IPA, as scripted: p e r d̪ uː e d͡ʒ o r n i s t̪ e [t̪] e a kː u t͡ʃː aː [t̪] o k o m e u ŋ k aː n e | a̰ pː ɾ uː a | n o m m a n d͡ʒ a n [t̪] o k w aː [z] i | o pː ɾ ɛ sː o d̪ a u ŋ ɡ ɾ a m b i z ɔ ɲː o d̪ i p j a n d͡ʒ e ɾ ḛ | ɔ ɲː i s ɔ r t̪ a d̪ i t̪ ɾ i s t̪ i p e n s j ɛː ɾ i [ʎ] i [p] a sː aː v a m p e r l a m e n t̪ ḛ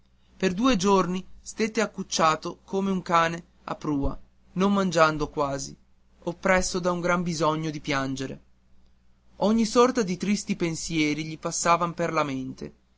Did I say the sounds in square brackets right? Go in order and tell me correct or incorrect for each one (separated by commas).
correct, correct, incorrect, correct, correct, correct